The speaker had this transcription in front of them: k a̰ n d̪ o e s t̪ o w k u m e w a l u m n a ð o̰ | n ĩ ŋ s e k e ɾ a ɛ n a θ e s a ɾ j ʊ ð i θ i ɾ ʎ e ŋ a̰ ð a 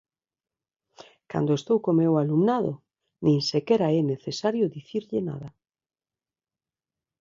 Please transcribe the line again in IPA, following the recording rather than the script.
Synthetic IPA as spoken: k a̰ n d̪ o e s t̪ o w k o m e w a l u m n a ð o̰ | n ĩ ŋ s e k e ɾ a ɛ n e θ e s a ɾ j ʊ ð i θ i ɾ ʎ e n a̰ ð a